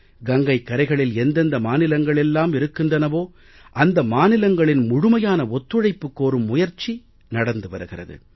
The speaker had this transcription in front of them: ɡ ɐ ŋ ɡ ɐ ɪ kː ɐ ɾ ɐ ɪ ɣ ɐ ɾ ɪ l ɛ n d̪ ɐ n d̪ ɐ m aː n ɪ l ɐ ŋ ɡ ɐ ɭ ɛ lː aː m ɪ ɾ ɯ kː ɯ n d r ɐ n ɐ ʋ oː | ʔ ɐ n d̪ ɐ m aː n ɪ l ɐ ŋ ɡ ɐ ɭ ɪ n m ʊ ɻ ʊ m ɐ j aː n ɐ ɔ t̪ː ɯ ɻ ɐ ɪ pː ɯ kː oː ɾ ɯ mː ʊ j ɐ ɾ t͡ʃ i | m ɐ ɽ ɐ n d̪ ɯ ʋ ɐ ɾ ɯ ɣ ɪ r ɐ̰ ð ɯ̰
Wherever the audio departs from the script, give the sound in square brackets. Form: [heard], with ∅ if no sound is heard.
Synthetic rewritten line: ɡ ɐ ŋ ɡ ɐ ɪ kː ɐ ɾ ɐ ɪ ɣ ɐ [ɭ] ɪ l ɛ n d̪ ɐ n d̪ ɐ m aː n ɪ l ɐ ŋ ɡ ɐ ɭ ɛ lː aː m ɪ ɾ ɯ kː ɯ n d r ɐ n ɐ ʋ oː | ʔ ɐ n d̪ ɐ m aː n ɪ l ɐ ŋ ɡ ɐ ɭ ɪ n m ʊ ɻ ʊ m ɐ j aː n ɐ ɔ t̪ː ɯ ɻ ɐ ɪ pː ɯ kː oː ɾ ɯ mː ʊ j ɐ ɾ t͡ʃ i | [n] ɐ ɽ ɐ n d̪ ɯ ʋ ɐ ɾ ɯ ɣ ɪ r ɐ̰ ð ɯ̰